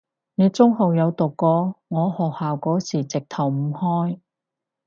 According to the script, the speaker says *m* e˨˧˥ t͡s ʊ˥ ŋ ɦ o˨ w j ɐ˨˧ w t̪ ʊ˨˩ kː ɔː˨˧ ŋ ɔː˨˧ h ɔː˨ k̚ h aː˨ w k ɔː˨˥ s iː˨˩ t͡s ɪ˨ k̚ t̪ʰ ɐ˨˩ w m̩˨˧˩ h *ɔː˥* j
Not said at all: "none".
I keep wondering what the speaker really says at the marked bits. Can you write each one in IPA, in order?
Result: n, ɔː˥

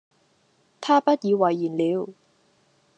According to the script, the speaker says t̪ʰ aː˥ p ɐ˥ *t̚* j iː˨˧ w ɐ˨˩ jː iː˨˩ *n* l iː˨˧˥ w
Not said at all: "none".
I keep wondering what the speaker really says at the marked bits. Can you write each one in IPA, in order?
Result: t̚, n

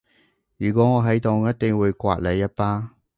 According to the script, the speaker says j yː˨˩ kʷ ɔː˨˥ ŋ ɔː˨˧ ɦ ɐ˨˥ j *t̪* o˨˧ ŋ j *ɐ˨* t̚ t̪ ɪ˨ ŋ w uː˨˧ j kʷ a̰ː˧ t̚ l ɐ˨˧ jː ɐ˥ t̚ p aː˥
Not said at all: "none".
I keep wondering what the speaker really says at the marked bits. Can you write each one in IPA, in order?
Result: t̪, ɐ˥

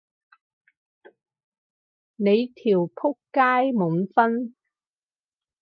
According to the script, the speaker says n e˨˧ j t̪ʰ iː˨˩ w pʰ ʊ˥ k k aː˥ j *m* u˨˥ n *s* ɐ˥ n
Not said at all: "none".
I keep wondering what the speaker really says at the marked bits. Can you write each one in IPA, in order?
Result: m, f

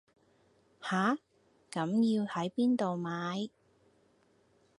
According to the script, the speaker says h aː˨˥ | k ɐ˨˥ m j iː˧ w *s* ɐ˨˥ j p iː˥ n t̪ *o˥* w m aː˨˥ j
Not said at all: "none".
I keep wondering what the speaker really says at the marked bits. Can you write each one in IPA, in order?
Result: h, o˨

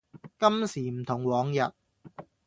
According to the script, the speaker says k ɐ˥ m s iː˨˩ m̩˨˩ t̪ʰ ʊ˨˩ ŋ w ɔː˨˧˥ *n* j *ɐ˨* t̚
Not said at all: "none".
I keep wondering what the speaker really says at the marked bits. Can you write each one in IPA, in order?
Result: ŋ, ɐ˨

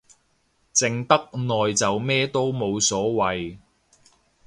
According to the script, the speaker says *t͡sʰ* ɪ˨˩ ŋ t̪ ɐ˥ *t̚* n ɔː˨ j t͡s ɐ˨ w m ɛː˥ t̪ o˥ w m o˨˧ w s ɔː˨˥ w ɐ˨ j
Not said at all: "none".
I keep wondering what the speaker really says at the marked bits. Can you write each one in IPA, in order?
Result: t͡s, k̚

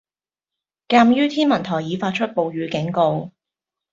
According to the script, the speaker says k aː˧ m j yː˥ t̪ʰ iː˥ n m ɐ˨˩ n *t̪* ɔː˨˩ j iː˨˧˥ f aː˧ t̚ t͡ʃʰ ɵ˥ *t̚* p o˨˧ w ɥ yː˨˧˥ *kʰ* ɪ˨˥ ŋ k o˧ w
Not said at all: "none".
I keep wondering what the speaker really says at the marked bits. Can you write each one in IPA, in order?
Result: t̪ʰ, t̚, k

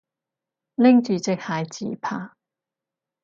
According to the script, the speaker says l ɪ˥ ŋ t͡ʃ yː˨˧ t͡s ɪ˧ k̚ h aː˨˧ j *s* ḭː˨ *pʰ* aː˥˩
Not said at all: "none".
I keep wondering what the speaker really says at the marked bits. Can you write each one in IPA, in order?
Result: t͡s, pʰ

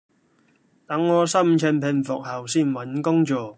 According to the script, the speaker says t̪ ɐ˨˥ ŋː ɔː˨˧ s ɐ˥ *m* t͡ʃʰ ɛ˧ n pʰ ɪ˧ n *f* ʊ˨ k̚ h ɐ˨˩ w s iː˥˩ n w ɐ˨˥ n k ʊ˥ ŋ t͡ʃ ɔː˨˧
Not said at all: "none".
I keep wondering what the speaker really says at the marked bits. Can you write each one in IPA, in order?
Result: m, f

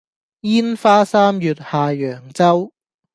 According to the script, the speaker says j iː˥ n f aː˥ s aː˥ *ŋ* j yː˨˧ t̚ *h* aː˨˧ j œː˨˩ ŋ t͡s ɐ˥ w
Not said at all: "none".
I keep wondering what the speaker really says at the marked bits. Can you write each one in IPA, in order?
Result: m, h

